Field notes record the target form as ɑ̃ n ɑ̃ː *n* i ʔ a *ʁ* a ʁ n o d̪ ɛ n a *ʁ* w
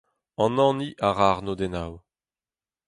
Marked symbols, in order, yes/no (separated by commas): yes, yes, no